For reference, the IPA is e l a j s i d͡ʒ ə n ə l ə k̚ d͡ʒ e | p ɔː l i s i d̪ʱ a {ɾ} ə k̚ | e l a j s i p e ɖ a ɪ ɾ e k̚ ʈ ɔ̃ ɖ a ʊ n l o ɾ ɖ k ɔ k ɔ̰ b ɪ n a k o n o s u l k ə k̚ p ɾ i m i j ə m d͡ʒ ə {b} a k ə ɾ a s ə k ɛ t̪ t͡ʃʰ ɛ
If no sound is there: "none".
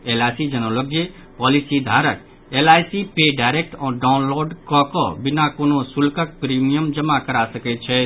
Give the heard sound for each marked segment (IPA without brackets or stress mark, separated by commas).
ɾ, m